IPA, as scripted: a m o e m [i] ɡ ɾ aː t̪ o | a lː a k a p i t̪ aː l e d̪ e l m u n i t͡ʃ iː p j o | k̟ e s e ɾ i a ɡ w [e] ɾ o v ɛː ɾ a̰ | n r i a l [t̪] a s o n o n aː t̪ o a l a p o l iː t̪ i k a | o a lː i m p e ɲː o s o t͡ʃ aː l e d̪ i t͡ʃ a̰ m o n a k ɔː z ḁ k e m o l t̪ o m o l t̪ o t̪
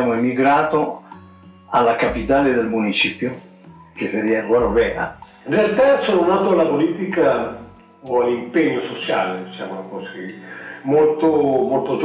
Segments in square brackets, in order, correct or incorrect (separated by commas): correct, incorrect, correct